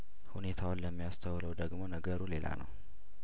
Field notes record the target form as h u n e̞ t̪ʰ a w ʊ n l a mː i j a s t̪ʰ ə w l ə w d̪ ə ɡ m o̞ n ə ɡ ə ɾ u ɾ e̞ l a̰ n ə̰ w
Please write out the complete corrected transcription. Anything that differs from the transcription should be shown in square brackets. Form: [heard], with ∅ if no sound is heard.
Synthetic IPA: h u n e̞ t̪ʰ a w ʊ n l [ə] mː i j a s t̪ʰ ə w l ə w d̪ ə ɡ m o̞ n ə ɡ ə ɾ u [l] e̞ l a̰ n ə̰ w